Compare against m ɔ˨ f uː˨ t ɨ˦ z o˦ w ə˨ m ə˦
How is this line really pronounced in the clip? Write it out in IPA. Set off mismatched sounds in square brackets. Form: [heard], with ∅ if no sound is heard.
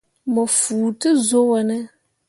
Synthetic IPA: m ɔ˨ f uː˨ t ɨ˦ z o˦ w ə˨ [n] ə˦

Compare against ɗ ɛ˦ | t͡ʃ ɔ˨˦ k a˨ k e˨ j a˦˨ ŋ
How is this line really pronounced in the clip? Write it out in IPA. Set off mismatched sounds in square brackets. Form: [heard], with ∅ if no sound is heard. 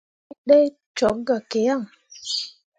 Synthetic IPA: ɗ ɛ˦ | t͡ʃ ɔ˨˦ [ɡ] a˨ k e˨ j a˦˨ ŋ

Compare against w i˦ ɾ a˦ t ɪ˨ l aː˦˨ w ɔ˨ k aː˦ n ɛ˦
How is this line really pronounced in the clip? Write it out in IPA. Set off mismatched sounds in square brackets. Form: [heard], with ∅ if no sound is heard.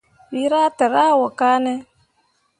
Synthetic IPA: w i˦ ɾ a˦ t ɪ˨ [ɾ] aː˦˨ w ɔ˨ k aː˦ n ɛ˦

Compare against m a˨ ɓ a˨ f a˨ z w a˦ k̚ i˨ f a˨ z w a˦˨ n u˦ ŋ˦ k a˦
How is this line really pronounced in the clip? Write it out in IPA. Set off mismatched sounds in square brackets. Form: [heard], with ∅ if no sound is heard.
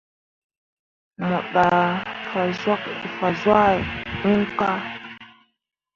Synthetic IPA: m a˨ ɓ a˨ f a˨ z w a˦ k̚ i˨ f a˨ z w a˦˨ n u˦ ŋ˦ k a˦

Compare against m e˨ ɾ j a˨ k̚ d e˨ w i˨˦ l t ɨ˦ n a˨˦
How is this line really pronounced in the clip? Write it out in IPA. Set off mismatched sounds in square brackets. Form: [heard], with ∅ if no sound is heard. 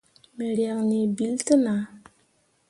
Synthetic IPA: m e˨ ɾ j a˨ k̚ [n] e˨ [b] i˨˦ l t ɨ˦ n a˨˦

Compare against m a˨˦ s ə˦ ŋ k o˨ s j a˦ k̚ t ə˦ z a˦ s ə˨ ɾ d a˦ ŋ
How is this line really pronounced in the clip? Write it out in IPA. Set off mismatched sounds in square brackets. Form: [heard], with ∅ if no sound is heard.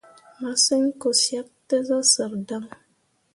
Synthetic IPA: m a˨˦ s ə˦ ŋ k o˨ s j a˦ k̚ t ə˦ z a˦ s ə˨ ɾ d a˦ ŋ

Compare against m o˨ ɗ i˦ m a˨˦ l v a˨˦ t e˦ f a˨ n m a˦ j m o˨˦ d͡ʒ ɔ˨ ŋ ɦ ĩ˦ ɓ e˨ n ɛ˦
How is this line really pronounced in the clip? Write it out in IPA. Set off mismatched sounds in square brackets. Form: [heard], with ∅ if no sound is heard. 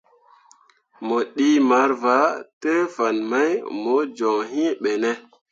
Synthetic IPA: m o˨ ɗ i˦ m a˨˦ [ɾ] v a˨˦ t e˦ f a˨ n m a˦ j m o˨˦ d͡ʒ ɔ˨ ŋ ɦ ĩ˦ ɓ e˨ n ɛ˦

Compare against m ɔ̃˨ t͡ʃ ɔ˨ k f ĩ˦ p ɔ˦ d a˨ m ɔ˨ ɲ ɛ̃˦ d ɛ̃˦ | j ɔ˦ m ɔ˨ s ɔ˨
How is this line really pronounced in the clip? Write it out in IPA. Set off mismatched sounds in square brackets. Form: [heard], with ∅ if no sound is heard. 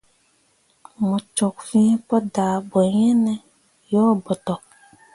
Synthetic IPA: m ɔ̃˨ t͡ʃ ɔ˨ k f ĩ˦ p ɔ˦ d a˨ [b] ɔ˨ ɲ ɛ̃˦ [n] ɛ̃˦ | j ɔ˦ [b] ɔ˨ [t] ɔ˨

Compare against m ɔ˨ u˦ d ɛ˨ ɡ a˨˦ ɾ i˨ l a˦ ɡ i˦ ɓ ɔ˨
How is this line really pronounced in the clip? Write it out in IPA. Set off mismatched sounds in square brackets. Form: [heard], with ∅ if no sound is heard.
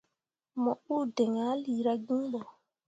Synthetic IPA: m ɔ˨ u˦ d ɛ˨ [ŋ] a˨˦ [l] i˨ [ɾ] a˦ ɡ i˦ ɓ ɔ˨

